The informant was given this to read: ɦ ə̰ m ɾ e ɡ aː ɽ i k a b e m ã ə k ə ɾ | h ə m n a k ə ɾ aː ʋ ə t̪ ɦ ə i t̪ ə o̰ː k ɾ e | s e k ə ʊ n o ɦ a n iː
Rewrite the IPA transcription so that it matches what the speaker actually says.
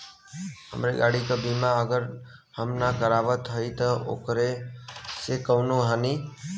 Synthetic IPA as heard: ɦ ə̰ m ɾ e ɡ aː ɽ i k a b i m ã ə ɡ ə ɾ | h ə m n a k ə ɾ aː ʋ ə t̪ ɦ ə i t̪ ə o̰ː k ɾ e | s e k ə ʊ n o ɦ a n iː

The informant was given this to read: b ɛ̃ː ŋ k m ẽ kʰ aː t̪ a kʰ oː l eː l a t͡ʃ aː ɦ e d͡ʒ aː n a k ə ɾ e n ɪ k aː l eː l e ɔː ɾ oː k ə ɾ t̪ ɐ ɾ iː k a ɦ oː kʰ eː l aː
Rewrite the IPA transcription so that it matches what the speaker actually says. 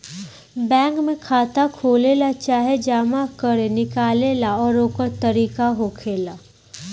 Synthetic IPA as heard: b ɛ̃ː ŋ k m ẽ kʰ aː t̪ a kʰ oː l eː l a t͡ʃ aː ɦ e d͡ʒ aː m a k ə ɾ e n ɪ k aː l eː l a ɔː ɾ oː k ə ɾ t̪ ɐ ɾ iː k a ɦ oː kʰ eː l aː

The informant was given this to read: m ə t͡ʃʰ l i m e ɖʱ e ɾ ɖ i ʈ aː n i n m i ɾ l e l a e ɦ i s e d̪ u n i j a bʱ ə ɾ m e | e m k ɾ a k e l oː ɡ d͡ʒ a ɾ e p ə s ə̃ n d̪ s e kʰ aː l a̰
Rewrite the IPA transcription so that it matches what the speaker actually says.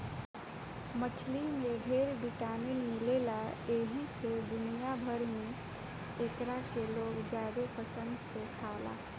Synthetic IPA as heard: m ə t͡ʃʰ l i m e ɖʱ e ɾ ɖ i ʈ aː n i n m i l e l a e ɦ i s e d̪ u n i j a bʱ ə ɾ m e | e k ɾ a k e l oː ɡ d͡ʒ a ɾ e p ə s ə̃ n d̪ s e kʰ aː l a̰

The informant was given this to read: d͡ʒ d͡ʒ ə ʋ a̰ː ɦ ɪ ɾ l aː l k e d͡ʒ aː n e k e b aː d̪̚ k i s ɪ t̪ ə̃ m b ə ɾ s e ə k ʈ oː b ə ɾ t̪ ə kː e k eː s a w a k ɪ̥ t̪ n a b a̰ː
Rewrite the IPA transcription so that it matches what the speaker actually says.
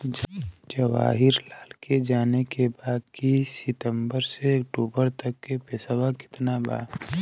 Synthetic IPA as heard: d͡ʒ d͡ʒ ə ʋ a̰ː ɦ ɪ ɾ l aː l k e d͡ʒ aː n e k e b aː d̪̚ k i s ɪ t̪ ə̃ m b ə ɾ s e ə k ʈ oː b ə ɾ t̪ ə kː e p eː s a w a k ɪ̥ t̪ n a b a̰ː

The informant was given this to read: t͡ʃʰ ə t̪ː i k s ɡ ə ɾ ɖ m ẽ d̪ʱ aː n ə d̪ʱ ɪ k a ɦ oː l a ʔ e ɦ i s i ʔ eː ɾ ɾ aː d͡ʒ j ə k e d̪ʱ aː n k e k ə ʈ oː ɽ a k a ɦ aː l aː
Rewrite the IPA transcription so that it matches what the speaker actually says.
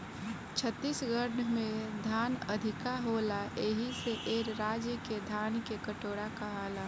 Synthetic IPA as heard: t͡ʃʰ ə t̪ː i s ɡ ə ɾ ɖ m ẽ d̪ʱ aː n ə d̪ʱ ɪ k a ɦ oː l a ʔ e ɦ i s e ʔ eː ɾ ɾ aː d͡ʒ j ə k e d̪ʱ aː n k e k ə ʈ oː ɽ a k a ɦ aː l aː

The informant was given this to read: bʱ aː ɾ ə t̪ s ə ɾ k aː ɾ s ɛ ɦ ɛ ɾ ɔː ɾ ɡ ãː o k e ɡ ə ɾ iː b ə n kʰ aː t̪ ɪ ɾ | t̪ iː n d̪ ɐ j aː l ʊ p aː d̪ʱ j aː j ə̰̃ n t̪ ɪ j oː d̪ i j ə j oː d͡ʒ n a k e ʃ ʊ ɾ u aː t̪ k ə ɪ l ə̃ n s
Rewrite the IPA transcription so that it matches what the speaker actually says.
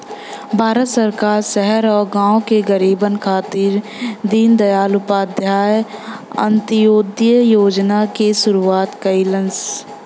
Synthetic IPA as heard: bʱ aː ɾ ə t̪ s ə ɾ k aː ɾ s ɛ ɦ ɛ ɾ ɔː ɾ ɡ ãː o k e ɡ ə ɾ iː b ə n kʰ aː t̪ ɪ ɾ | d̪ iː n d̪ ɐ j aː l ʊ p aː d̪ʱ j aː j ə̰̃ n t̪ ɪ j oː d̪ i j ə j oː d͡ʒ n a k e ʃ ʊ ɾ u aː t̪ k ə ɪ l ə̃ n s

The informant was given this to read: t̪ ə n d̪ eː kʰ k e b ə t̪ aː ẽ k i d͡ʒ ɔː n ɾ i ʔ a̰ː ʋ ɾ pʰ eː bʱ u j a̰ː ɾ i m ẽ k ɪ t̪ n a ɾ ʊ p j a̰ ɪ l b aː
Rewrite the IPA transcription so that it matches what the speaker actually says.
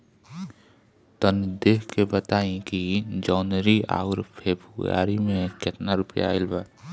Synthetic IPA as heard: t̪ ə n d̪ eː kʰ k e b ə t̪ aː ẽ k i d͡ʒ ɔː n ɾ i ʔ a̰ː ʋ ɾ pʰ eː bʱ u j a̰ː ɾ i m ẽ k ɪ t̪ n a ɾ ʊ p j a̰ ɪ l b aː

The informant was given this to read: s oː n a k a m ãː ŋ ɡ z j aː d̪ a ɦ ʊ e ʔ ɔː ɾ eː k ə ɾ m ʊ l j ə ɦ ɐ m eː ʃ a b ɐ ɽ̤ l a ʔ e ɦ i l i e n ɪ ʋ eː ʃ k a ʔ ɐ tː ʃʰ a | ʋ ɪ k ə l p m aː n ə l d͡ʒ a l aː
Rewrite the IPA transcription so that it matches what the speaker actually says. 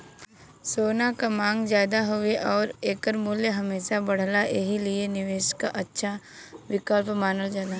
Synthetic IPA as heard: s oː n a k a m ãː ŋ ɡ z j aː d̪ a ɦ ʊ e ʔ ɔː ɾ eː k ə ɾ m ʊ l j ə ɦ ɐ m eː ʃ a b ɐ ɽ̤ l a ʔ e ɦ i l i e n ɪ ʋ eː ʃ k a ʔ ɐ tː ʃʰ a | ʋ ɪ k ə l p m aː n ə l d͡ʒ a l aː

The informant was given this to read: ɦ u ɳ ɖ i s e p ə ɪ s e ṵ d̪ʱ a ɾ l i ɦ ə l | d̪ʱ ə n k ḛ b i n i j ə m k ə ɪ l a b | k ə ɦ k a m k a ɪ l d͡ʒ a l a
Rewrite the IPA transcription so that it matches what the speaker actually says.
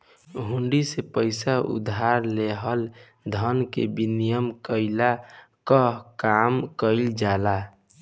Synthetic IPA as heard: ɦ u ɳ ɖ i s e p ə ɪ s a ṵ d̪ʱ a ɾ l e ɦ ə l | d̪ʱ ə n k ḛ b i n i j ə m k ə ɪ l a | k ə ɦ k a m k ə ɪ l d͡ʒ a l a

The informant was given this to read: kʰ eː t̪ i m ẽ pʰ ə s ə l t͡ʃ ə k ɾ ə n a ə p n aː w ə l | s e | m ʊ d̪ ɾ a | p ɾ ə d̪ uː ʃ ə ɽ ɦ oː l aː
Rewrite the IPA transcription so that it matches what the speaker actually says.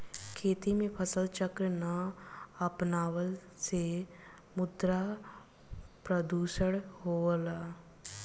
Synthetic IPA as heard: kʰ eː t̪ i m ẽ pʰ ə s ə l t͡ʃ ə k ɾ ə n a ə p n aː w ə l | s e | m ʊ d̪ ɾ a | p ɾ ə d̪ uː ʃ ə ɽ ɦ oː l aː

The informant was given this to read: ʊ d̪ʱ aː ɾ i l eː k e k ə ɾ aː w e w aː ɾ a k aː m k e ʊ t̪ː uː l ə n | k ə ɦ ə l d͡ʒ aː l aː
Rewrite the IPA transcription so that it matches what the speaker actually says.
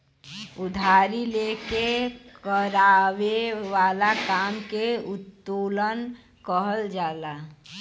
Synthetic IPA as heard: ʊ d̪ʱ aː ɾ i l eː k e k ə ɾ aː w e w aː l a k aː m k e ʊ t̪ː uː l ə n | k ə ɦ ə l d͡ʒ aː l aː

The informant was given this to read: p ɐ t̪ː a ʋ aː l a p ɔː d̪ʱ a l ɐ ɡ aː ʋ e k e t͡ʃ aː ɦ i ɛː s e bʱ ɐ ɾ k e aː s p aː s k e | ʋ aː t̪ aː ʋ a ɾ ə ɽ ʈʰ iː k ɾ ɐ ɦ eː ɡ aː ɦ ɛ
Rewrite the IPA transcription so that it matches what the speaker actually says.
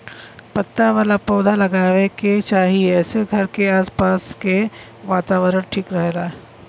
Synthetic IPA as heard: p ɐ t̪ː a ʋ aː l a p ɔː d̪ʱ a l ɐ ɡ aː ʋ e k e t͡ʃ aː ɦ i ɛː s e ɡʱ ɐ ɾ k e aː s p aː s k e | ʋ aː t̪ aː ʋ ə ɾ ə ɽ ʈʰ iː k ɾ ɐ ɦ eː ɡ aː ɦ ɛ

